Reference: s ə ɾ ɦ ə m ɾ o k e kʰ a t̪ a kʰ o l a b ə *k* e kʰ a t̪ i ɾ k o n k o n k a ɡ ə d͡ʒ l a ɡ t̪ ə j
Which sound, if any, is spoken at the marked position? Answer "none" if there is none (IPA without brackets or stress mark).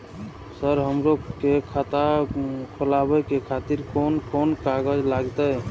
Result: k